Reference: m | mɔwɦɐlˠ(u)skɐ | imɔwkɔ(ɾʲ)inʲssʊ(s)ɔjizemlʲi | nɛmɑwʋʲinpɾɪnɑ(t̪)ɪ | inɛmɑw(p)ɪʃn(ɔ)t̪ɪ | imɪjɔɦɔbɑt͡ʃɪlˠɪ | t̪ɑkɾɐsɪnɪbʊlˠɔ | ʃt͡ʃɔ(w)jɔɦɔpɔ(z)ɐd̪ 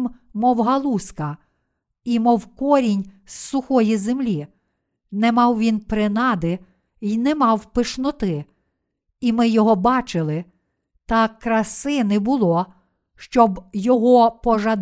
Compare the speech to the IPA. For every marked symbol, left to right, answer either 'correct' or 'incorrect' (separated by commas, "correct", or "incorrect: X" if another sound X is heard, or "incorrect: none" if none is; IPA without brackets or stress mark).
correct, correct, incorrect: x, incorrect: d̪, correct, correct, incorrect: b, incorrect: ʒ